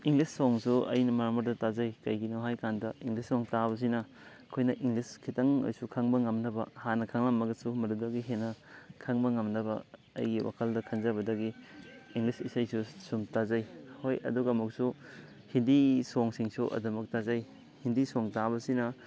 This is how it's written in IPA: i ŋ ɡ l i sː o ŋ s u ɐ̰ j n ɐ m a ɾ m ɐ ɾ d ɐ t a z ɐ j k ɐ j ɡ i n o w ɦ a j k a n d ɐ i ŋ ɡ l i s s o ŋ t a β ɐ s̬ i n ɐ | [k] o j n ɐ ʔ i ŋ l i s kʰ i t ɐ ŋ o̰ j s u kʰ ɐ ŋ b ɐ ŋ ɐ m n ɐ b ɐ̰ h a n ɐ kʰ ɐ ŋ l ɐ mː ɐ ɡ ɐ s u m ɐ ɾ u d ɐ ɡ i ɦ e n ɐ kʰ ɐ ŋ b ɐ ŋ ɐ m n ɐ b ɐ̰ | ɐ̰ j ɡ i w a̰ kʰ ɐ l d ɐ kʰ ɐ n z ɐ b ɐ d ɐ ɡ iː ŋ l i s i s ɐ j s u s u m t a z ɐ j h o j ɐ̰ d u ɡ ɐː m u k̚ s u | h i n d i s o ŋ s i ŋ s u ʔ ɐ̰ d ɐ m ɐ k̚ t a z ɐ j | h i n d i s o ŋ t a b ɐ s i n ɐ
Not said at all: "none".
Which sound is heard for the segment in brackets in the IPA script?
kʰ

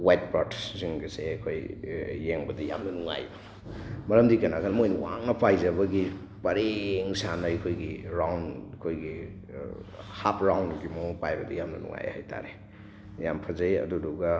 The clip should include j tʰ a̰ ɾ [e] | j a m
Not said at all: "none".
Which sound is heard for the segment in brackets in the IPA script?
e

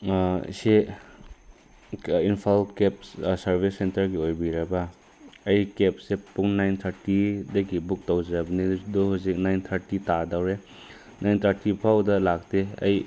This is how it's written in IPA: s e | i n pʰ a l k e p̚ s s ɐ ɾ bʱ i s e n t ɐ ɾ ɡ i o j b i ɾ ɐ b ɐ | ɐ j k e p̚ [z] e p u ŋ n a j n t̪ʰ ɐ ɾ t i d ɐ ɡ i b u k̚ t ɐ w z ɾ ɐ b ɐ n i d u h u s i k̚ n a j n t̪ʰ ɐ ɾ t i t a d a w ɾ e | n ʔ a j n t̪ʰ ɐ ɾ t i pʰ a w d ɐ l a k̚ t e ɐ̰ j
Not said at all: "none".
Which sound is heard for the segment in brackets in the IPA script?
s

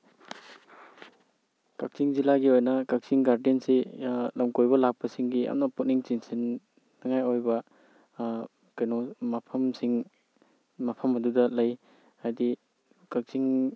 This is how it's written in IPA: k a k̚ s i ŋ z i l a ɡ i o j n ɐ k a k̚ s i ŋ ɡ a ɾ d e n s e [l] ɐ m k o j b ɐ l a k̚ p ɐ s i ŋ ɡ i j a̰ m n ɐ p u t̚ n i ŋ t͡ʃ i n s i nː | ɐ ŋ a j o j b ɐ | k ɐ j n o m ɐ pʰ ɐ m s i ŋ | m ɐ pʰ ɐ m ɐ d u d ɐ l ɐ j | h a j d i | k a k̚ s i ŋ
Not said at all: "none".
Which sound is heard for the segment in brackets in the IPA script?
l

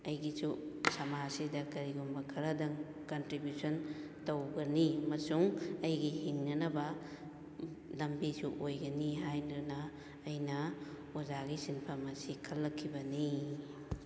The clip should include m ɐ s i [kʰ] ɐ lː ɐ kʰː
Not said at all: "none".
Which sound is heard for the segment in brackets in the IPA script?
kʰ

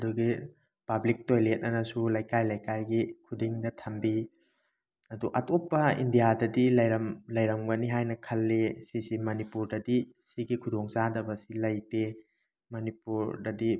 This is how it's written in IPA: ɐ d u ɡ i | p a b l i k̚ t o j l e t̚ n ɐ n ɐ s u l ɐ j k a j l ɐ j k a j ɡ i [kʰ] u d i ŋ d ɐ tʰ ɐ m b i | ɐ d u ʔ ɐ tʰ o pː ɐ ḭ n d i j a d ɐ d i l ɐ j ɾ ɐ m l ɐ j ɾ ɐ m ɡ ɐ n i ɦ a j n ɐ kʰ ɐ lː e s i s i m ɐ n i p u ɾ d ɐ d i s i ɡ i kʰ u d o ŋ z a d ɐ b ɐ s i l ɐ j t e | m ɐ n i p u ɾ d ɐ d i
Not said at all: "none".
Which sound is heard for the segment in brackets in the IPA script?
kʰ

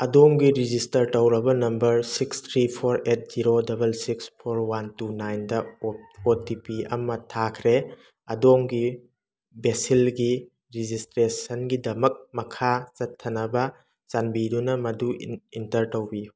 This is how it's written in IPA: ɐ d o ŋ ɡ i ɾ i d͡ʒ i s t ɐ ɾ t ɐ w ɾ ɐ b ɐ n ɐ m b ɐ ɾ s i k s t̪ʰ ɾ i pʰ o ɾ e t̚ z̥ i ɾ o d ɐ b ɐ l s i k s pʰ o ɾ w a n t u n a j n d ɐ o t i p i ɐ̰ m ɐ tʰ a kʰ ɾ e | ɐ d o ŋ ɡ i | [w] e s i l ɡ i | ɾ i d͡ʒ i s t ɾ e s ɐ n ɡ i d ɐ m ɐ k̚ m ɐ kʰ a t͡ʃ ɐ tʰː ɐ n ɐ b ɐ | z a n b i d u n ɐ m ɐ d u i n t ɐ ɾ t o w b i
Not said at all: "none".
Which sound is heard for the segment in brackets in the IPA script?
b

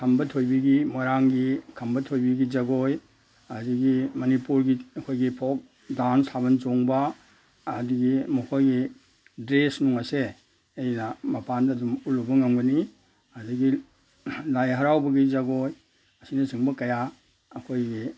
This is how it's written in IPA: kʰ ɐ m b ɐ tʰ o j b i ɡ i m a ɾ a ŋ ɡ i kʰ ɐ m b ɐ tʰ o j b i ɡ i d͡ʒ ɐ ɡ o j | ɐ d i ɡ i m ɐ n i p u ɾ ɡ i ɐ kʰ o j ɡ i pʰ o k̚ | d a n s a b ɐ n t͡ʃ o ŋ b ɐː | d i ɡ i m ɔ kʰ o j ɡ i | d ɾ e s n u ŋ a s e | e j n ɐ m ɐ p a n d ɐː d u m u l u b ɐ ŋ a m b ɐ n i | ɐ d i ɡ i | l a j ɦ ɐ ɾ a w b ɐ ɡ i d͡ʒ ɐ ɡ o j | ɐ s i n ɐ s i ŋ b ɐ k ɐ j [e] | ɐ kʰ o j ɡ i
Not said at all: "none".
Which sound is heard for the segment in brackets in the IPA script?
a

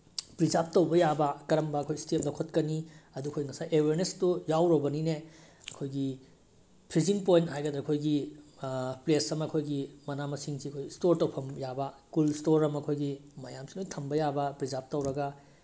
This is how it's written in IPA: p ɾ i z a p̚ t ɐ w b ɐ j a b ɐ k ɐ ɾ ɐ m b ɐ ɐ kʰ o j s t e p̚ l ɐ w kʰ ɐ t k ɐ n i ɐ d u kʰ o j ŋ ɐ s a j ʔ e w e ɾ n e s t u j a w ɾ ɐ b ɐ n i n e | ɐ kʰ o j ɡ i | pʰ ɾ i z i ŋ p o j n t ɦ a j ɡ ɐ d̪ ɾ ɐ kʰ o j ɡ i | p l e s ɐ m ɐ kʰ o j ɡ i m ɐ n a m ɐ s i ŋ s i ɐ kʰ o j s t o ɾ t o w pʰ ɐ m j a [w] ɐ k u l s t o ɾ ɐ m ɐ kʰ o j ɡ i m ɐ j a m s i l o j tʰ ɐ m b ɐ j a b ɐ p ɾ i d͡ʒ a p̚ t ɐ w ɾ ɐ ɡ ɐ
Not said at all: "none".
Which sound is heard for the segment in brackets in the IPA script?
b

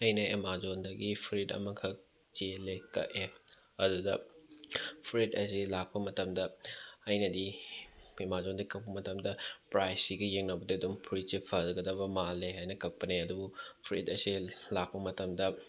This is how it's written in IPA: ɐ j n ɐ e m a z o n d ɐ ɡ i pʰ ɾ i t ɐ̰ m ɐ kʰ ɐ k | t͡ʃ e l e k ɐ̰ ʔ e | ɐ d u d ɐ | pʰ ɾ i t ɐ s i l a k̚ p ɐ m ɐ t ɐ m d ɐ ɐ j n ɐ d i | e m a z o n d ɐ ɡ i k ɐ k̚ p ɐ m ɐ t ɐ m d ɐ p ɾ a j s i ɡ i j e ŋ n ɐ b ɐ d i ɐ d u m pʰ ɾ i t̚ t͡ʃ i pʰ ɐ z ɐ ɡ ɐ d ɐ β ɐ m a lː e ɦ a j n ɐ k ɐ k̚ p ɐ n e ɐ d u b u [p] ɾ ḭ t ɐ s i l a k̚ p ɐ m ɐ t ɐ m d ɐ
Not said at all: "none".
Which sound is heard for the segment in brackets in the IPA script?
pʰ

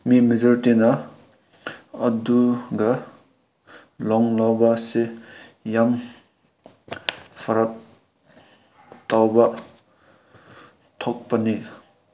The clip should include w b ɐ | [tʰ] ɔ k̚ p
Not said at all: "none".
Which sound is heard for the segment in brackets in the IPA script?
tʰ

